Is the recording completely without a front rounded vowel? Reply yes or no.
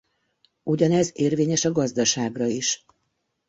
yes